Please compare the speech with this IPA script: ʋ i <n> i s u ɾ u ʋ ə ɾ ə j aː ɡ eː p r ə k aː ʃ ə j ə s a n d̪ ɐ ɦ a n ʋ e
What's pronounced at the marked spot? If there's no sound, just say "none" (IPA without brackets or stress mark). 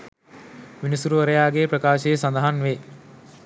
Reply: n